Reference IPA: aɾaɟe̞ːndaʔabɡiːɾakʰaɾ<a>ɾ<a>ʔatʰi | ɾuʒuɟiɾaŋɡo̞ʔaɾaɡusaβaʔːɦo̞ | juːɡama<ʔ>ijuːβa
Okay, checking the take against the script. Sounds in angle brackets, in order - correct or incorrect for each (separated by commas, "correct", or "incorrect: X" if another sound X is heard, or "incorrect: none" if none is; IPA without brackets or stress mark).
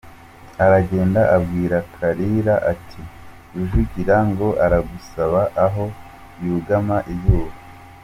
incorrect: i, correct, correct